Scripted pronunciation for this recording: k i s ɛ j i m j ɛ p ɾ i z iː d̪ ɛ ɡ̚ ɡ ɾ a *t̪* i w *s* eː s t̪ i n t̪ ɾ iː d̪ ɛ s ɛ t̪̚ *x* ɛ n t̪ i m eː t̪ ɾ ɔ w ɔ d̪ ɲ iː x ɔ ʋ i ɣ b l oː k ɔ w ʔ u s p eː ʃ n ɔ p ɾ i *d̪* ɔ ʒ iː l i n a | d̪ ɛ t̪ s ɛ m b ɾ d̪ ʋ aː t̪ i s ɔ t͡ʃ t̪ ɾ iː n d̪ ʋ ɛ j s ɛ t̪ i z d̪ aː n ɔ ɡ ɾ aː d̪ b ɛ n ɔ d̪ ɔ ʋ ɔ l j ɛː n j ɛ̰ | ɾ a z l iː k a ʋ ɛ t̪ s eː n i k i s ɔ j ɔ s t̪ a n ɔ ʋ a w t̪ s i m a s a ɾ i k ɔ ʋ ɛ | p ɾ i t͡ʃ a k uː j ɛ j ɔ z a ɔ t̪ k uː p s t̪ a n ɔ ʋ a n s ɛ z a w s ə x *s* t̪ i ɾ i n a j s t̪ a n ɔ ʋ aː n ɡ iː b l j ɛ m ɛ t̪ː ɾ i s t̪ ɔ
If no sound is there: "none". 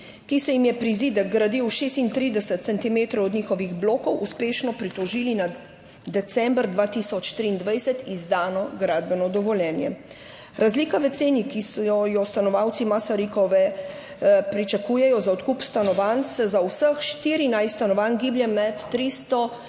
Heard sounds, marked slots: d̪, ʃ, s, t̪, ʃ

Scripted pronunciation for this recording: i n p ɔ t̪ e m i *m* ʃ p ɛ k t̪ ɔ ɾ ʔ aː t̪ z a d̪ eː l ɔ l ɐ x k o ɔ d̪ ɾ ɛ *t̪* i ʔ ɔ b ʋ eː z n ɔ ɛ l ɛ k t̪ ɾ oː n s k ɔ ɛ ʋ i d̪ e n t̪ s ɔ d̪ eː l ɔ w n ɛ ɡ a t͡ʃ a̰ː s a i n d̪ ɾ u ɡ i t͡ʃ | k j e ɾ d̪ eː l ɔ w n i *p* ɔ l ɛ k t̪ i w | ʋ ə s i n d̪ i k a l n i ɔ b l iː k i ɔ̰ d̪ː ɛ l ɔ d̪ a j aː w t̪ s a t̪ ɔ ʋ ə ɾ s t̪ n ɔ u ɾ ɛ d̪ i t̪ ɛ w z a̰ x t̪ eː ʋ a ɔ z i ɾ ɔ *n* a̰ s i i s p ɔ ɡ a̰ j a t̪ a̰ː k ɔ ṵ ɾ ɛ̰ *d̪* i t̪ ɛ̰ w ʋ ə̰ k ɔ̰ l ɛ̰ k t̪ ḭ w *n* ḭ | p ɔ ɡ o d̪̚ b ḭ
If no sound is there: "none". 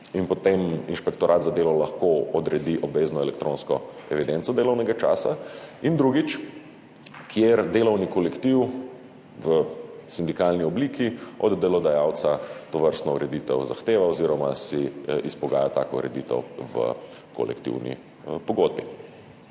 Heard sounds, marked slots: n, d̪, k, m, d̪, n

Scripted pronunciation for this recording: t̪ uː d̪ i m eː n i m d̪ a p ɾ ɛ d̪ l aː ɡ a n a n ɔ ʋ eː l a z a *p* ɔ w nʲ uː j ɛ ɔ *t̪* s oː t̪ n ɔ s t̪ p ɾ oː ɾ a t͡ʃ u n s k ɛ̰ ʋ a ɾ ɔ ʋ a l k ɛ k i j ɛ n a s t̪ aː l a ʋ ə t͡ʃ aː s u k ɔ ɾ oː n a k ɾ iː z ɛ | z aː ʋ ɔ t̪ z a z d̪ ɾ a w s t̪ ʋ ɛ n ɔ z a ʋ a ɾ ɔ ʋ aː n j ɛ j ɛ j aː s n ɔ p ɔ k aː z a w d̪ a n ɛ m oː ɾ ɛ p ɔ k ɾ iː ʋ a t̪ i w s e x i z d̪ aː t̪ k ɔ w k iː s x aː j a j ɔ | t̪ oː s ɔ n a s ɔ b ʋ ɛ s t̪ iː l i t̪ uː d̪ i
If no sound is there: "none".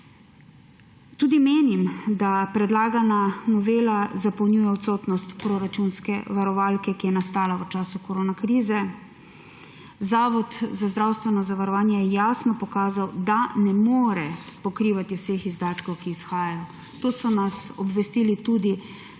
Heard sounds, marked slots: p, t̪

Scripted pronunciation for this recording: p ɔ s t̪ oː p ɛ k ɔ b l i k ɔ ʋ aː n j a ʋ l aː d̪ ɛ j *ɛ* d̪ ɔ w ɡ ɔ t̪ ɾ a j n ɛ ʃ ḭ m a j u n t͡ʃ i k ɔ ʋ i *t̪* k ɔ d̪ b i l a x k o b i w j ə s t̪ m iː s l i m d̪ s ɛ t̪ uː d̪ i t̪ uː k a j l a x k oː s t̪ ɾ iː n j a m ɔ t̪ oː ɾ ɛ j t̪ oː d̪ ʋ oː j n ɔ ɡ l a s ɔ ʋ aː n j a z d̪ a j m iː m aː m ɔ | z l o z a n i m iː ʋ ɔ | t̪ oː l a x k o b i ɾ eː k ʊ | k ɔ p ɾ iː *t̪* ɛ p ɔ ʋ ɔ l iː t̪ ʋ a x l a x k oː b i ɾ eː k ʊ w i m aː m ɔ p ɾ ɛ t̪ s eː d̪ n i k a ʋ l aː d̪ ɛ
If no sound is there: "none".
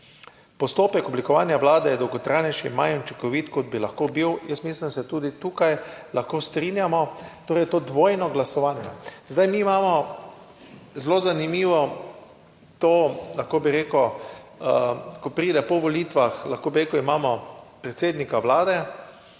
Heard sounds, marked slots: ɛ, t̪, d̪

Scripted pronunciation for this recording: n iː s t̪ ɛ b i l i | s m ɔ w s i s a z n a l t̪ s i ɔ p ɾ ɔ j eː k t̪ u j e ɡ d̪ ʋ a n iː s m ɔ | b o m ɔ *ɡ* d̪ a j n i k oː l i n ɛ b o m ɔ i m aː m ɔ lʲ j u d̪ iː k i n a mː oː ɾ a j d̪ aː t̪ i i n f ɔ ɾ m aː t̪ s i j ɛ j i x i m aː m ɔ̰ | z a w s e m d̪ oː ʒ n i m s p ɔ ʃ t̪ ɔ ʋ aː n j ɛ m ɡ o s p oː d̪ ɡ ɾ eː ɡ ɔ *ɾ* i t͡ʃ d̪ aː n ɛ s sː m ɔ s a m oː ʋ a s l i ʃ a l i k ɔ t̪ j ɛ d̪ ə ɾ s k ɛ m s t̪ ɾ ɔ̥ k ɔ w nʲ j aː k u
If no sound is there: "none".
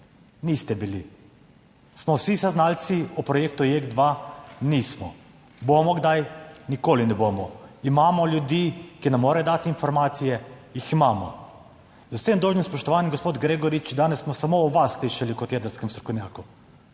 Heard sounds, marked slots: ɡ, ɾ

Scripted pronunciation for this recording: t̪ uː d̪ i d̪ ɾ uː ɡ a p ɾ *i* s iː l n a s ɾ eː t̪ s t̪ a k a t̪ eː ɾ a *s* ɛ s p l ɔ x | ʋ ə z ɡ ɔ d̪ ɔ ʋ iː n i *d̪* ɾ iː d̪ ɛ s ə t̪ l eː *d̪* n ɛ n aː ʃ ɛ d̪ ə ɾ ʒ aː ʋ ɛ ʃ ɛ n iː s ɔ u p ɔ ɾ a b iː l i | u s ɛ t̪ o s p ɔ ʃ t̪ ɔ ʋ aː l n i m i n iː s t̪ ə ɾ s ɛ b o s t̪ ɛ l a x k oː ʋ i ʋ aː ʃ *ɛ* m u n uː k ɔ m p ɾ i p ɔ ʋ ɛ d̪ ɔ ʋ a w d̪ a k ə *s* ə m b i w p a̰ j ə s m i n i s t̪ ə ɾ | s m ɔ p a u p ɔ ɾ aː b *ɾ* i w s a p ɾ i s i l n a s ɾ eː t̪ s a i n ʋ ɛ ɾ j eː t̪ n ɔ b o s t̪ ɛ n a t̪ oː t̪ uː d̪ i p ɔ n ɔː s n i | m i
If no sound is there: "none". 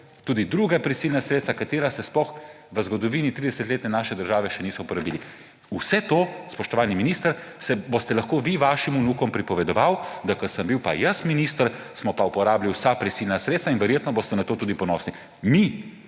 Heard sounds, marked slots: i, s, t̪, t̪, i, s, l

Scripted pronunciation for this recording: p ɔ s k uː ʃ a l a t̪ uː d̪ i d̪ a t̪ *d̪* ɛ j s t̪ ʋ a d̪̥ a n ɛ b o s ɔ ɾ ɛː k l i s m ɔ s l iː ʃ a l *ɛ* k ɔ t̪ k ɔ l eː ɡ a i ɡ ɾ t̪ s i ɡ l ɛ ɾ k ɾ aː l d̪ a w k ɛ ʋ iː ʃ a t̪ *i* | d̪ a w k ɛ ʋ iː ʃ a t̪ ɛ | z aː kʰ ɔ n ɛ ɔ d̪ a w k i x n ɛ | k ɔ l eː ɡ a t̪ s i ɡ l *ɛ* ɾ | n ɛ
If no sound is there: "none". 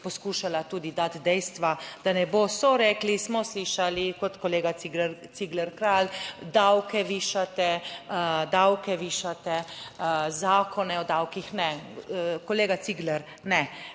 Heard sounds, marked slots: d̪, i, ɛ, ɛ

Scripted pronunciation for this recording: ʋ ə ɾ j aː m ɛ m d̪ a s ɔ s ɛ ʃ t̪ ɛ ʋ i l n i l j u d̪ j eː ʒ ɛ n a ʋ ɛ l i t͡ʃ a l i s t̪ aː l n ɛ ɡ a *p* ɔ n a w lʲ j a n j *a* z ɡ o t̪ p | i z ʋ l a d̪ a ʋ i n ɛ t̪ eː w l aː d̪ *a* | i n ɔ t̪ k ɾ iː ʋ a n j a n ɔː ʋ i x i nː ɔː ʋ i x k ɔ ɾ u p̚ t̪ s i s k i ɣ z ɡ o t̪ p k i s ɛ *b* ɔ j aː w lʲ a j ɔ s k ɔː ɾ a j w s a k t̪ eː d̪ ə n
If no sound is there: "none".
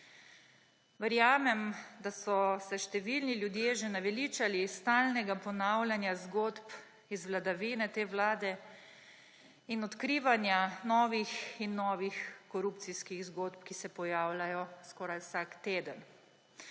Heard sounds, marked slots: p, a, ɛ, p

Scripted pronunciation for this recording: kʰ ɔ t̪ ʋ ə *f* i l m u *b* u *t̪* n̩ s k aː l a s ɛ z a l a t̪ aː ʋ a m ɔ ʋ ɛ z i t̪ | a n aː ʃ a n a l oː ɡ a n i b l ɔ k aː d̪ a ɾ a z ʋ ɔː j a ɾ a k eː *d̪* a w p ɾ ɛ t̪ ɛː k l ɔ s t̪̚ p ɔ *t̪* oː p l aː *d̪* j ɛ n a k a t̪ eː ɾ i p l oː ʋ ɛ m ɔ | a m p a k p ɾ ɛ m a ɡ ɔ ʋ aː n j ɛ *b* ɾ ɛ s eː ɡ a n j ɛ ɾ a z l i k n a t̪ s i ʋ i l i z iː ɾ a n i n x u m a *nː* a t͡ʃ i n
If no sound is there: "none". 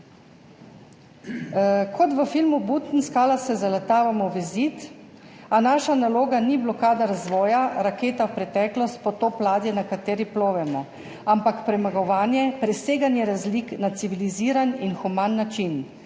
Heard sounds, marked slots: f, b, t̪, t̪, t̪, d̪, p, nː

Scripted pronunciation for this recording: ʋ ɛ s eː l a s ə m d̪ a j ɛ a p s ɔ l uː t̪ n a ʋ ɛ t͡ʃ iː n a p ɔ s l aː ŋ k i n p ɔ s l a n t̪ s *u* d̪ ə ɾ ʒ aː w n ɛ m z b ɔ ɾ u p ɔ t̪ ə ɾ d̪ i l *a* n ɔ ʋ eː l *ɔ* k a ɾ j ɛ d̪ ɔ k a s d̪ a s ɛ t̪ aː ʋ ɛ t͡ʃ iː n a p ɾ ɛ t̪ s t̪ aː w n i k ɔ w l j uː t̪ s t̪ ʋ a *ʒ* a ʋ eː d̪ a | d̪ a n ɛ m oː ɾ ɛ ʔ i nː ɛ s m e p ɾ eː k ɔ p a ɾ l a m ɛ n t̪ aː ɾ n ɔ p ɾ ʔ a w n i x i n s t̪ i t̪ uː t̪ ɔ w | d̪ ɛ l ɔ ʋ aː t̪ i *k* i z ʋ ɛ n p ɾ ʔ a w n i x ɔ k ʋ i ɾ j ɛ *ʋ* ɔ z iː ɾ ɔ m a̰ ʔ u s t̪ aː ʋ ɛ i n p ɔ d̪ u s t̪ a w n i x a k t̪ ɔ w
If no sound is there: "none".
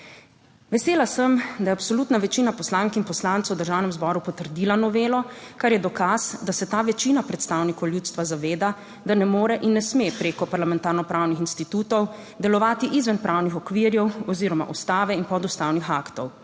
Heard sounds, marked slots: w, a, ɔ, z, ʔ, w

